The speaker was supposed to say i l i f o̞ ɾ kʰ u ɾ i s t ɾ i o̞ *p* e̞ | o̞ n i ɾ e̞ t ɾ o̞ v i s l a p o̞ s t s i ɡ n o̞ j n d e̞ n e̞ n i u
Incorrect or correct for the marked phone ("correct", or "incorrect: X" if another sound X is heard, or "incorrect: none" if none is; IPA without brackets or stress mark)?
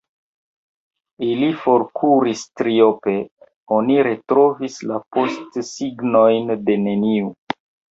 correct